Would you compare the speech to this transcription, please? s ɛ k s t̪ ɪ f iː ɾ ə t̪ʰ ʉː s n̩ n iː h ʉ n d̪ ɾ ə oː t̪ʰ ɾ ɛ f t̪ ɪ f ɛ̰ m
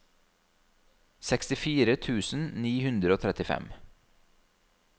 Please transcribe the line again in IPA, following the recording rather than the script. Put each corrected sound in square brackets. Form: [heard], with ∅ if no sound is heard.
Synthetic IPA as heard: s ɛ k s t̪ ɪ f iː ɾ ə t̪ʰ ʉː s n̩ n iː h ʉ n d̪ ɾ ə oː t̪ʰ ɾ ɛ [∅] t̪ ɪ f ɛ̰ m